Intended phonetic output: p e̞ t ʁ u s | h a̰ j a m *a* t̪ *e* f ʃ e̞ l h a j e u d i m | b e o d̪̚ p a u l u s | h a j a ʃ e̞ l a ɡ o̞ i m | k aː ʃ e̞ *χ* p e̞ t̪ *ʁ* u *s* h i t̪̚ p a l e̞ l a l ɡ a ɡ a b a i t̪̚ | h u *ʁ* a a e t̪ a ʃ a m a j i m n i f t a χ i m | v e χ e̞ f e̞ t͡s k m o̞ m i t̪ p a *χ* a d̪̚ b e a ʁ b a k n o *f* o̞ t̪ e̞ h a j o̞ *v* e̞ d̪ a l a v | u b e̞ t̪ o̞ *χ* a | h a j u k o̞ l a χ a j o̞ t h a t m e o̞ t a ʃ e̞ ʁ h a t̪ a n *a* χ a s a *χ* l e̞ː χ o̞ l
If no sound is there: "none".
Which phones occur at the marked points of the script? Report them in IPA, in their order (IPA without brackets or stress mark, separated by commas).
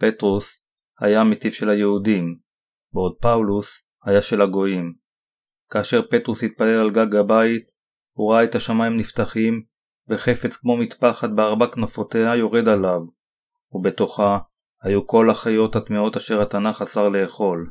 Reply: e, i, ʁ, ʁ, s, ʁ, χ, f, ʁ, χ, a, ʁ